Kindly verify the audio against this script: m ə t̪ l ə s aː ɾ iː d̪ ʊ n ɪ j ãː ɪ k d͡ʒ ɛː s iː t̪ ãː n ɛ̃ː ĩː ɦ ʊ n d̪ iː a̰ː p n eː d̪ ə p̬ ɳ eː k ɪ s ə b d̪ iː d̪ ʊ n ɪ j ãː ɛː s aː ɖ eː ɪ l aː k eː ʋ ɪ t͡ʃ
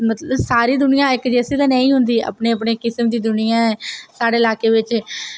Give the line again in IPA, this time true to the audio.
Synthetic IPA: m ə t̪ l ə s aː ɾ iː d̪ ʊ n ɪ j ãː ɪ k d͡ʒ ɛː s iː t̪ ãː n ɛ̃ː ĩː ɦ ʊ n d̪ iː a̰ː p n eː ə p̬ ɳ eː k ɪ s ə m d̪ iː d̪ ʊ n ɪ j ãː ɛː s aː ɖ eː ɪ l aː k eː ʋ ɪ t͡ʃ